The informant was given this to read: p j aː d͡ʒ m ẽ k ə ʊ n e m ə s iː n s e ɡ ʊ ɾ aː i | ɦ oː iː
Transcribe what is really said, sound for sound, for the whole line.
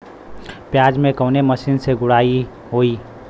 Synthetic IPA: p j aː d͡ʒ m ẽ k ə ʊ n e m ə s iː n s e ɡ ʊ ɽ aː i | ɦ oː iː